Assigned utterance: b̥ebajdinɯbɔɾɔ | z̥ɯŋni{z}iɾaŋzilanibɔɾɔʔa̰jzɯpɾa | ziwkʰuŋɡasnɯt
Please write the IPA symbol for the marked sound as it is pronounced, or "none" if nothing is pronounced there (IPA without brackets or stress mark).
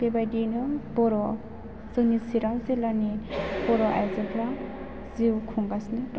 s